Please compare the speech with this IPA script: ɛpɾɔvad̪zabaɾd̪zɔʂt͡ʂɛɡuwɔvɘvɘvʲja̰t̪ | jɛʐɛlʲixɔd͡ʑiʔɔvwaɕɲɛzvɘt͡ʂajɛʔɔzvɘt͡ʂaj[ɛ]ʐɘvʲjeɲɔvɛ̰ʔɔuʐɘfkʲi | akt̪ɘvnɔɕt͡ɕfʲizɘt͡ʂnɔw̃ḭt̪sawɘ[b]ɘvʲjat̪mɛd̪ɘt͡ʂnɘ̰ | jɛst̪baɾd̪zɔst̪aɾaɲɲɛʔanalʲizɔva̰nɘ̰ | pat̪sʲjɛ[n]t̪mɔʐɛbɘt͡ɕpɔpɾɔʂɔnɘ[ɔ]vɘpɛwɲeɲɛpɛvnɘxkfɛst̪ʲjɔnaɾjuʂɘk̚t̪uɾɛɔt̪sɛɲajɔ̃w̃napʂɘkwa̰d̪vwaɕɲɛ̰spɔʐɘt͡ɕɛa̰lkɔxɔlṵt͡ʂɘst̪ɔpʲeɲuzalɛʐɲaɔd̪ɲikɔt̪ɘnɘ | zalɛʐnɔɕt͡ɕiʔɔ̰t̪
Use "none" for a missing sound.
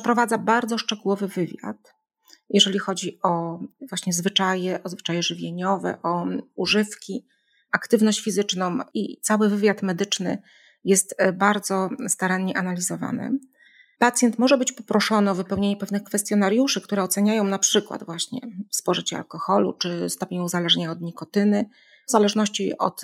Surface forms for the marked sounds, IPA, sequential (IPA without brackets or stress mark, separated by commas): ɛ, v, n, ɔ